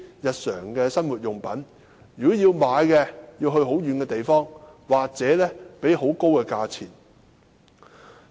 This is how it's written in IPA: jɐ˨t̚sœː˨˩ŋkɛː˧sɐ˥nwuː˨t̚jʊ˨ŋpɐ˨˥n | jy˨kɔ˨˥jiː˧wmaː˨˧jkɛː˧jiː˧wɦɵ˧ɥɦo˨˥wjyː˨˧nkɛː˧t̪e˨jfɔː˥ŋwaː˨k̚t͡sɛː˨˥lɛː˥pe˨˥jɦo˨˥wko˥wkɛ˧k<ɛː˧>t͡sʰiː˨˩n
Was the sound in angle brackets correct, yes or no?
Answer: no